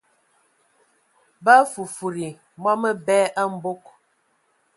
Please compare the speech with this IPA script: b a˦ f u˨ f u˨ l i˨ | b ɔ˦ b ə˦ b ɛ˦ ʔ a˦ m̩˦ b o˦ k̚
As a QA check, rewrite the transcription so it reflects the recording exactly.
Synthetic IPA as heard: b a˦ f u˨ f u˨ ɾ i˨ | m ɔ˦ m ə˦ b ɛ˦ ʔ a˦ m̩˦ b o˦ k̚